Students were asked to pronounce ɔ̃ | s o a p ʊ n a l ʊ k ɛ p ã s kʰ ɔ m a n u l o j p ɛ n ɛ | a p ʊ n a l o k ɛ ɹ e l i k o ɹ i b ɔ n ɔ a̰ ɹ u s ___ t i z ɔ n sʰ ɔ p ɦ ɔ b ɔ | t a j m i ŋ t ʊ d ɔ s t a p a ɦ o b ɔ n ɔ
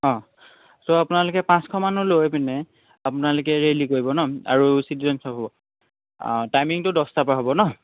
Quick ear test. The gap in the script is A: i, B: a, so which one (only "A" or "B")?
A